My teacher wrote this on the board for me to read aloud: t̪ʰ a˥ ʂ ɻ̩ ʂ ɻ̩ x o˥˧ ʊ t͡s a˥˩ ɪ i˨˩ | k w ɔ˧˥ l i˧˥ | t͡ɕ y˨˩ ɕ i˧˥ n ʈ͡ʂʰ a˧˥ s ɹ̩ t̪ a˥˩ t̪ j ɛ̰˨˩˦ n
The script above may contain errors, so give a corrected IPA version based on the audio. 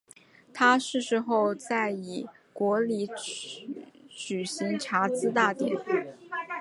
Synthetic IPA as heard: t̪ʰ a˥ ʂ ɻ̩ ʂ ɻ̩ x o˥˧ ʊ t͡s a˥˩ ɪ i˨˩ | k w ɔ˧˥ l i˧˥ | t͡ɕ y˨˩ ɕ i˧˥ ŋ ʈ͡ʂʰ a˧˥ t͡s ɹ̩ t̪ a˥˩ t̪ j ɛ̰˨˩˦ n